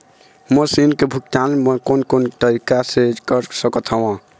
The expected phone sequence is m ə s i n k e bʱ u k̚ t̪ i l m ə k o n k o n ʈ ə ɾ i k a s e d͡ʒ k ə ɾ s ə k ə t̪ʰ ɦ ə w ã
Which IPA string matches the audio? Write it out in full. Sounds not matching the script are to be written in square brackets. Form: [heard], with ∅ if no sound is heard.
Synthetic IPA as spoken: m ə s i n k e bʱ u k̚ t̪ [a] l m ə k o n k o n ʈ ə ɾ i k a s e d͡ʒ k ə ɾ s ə k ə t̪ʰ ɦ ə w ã